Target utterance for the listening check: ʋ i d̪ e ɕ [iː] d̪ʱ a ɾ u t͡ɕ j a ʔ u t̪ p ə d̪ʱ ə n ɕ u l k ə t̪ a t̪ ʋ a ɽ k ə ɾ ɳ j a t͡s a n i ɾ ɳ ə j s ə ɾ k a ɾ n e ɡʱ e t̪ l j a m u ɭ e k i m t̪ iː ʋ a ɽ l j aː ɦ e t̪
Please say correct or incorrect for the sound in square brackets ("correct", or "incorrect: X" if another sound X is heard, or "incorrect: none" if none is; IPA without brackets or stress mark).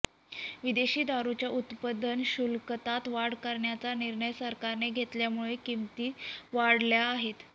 correct